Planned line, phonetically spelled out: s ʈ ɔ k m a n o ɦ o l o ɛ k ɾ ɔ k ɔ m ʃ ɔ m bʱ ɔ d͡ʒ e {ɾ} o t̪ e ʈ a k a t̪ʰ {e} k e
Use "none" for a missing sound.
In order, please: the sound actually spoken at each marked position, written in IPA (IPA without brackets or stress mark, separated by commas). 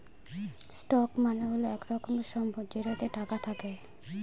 ɾ, a